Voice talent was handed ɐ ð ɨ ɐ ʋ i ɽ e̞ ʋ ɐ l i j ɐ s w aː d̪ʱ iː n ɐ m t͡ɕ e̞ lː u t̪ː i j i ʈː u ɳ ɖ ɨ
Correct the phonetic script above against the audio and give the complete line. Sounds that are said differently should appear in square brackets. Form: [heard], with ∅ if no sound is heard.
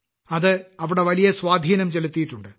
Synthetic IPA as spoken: ɐ ð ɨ ɐ ʋ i ɽ e̞ ʋ ɐ l i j ɐ s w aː d̪ʱ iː n ɐ m t͡ɕ e̞ [l] u t̪ː i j i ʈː u ɳ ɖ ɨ